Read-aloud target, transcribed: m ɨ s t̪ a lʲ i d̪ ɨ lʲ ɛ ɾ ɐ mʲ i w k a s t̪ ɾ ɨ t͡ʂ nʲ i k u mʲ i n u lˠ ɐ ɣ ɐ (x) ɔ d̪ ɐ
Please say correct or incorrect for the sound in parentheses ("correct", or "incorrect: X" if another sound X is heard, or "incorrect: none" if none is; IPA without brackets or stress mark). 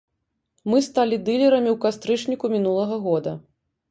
incorrect: ɣ